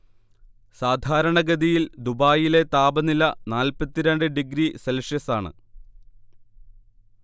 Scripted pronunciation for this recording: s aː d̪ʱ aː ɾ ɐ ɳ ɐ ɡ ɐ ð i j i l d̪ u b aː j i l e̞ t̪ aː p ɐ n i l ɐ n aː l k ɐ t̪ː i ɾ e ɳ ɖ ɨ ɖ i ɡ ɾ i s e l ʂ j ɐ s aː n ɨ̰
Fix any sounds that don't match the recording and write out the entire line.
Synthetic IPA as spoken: s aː d̪ʱ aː ɾ ɐ ɳ ɐ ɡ ɐ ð i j i l d̪ u b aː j i l e̞ t̪ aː b ɐ n i l ɐ n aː l p ɐ t̪ː i ɾ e ɳ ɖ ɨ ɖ i ɡ ɾ i s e l ʂ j ɐ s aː ɳ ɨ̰

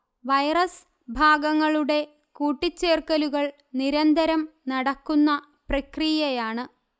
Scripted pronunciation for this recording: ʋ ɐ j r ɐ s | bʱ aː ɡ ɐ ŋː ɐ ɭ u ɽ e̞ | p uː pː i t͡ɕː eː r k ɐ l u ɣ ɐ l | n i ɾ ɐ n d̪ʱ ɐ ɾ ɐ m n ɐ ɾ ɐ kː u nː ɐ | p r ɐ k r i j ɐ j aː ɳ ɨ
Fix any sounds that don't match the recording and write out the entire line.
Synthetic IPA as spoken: ʋ ɐ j r ɐ s | bʱ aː ɡ ɐ ŋː ɐ ɭ u ɽ e̞ | k uː ʈː i t͡ɕː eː r k ɐ l u ɣ ɐ ɭ | n i ɾ ɐ n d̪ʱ ɐ ɾ ɐ m n ɐ ɽ ɐ kː u nː ɐ | p r ɐ k r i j ɐ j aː ɳ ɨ

